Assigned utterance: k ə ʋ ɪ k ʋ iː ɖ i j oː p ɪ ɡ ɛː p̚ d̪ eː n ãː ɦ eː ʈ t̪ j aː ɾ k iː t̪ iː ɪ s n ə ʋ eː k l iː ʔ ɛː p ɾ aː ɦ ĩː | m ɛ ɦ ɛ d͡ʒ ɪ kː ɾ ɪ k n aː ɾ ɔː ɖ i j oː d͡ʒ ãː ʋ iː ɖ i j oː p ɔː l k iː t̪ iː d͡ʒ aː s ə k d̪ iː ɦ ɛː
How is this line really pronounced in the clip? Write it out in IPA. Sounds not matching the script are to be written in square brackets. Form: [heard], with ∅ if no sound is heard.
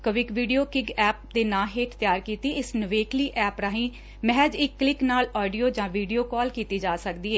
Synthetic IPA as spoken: k ə ʋ ɪ k ʋ iː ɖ i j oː [k] ɪ ɡ ɛː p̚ d̪ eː n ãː ɦ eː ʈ t̪ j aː ɾ k iː t̪ iː ɪ s n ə ʋ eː k l iː ʔ ɛː p ɾ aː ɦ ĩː | m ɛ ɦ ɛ d͡ʒ ɪ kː [l] ɪ k n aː [l] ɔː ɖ i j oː d͡ʒ ãː ʋ iː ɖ i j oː [k] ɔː l k iː t̪ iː d͡ʒ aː s ə k d̪ iː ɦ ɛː